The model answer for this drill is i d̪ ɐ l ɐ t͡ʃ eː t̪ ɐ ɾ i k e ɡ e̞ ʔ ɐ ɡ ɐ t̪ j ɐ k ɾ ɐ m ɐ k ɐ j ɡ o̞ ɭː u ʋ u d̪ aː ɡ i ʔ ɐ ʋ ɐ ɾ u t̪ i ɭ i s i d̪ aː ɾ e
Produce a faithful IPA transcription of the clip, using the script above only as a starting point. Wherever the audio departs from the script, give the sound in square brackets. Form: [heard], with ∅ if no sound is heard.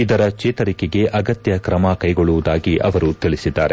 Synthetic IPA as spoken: i d̪ ɐ [ɾ] ɐ t͡ʃ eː t̪ ɐ ɾ i k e ɡ e̞ ʔ ɐ ɡ ɐ t̪ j ɐ k ɾ ɐ m ɐ k ɐ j ɡ o̞ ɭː u ʋ u d̪ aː ɡ i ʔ ɐ ʋ ɐ ɾ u t̪ i ɭ i s i [d̪ː] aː ɾ e